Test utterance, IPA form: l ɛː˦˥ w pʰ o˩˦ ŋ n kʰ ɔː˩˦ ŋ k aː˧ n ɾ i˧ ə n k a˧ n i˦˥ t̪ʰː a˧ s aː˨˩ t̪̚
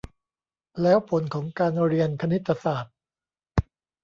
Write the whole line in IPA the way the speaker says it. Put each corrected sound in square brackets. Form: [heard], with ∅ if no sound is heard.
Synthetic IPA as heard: l ɛː˦˥ w pʰ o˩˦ [∅] n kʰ ɔː˩˦ ŋ k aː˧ n ɾ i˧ ə n [kʰ] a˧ n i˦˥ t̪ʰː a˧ s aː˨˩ t̪̚